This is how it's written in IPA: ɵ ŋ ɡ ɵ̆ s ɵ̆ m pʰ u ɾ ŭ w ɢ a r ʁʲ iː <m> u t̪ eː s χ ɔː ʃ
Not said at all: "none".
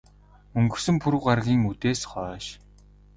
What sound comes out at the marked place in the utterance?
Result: ŋ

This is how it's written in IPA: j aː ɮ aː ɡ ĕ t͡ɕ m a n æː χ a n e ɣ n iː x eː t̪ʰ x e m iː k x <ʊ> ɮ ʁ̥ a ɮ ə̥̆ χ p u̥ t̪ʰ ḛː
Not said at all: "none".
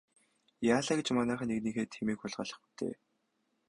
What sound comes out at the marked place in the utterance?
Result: ʊ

